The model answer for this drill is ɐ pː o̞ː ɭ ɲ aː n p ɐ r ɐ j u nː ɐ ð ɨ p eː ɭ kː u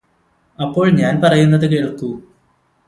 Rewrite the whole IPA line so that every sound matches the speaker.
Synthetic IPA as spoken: ɐ pː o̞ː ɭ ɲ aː n p ɐ r ɐ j u nː ɐ ð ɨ k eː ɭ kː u